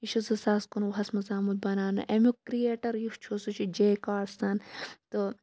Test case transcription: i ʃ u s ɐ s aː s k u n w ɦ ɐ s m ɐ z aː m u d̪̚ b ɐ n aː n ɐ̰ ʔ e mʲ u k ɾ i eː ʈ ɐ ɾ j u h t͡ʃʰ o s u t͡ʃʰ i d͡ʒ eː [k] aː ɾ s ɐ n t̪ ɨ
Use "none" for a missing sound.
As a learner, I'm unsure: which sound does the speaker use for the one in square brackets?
k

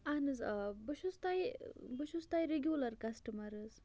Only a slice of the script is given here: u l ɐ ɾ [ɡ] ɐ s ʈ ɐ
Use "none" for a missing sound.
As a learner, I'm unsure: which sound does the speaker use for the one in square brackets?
k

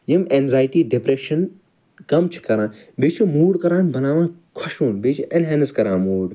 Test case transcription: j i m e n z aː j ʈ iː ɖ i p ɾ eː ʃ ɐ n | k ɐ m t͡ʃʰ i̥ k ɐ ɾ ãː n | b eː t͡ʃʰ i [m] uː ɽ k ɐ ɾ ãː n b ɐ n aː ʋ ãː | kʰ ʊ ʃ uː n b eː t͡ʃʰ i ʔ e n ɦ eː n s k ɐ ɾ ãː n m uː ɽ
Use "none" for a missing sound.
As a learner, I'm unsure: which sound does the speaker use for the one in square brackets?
m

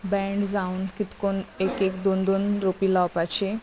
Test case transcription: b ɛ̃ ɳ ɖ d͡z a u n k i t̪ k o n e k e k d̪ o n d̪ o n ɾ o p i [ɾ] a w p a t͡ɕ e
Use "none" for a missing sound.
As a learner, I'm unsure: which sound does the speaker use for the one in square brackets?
l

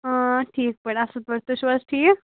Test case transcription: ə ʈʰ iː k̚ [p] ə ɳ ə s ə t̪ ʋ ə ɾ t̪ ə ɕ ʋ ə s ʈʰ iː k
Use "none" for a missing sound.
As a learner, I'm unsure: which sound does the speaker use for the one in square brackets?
p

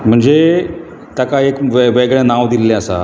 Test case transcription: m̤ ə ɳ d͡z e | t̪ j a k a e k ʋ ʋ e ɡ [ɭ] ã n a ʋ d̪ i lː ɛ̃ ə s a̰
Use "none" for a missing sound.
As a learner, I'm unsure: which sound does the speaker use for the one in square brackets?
ɭ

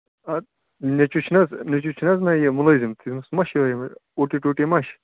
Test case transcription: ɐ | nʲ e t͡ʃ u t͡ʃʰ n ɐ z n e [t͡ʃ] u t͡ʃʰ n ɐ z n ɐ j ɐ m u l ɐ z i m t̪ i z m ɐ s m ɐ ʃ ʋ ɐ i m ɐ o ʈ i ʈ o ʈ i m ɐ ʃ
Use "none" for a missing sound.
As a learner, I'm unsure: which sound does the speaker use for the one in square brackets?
t͡ʃ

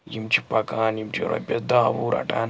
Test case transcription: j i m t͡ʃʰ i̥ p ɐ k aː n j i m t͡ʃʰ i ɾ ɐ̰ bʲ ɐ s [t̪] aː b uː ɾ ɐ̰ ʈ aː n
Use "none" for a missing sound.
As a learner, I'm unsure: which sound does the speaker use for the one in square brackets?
d̪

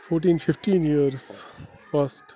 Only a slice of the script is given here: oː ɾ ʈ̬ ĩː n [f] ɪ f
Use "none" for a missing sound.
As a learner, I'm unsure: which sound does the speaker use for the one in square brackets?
f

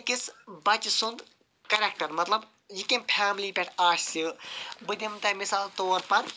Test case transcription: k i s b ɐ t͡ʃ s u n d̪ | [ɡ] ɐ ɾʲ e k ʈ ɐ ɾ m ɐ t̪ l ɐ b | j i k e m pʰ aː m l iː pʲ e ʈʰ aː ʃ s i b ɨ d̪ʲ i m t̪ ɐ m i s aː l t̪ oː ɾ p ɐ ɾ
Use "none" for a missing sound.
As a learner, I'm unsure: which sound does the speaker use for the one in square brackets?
k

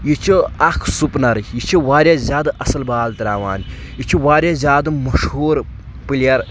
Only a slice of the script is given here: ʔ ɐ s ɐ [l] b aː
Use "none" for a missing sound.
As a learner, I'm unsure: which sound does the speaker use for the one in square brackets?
l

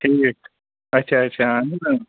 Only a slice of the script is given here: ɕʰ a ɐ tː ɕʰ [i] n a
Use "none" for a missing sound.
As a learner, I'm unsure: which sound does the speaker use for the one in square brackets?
a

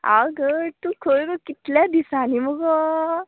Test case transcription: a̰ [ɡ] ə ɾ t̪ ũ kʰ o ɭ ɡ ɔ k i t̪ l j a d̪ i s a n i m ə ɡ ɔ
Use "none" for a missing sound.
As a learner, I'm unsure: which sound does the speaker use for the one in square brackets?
ɡ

